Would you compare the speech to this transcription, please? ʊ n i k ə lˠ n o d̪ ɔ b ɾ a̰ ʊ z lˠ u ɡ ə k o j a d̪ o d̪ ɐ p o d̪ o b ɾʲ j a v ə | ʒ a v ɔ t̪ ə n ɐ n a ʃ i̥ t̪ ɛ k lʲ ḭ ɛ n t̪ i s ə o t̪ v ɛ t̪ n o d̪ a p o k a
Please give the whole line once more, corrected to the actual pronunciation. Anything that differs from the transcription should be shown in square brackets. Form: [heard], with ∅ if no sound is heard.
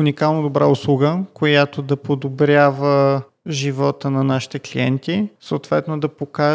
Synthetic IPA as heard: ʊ n i k [a] lˠ n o d̪ [o] b ɾ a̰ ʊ [s] lˠ u ɡ ə k o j a [t̪] o d̪ ɐ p o d̪ o b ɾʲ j a v ə | ʒ [i] v ɔ t̪ ə n ɐ n a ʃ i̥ t̪ ɛ k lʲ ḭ ɛ n t̪ i s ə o t̪ v ɛ t̪ n o d̪ [ɐ] p o k a